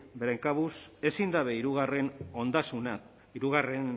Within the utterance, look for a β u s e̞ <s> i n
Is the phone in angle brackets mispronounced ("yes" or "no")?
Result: no